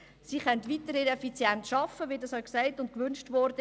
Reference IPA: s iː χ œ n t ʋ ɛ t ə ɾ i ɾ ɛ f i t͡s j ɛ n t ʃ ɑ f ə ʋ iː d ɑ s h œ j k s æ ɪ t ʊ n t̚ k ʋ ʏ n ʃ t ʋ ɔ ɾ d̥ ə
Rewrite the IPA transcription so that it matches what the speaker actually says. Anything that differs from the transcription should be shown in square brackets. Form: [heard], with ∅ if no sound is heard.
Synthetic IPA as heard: s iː χ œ n t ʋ [i] t ə ɾ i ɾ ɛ f i t͡s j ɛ n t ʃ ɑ f ə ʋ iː d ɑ s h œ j k s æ ɪ t ʊ n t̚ k ʋ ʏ n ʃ t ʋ ɔ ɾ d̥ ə